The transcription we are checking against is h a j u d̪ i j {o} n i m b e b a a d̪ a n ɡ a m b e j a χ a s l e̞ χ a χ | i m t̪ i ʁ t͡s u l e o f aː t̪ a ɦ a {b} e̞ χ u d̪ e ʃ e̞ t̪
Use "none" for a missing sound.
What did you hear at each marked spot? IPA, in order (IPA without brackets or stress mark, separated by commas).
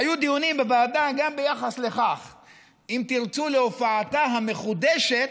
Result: u, m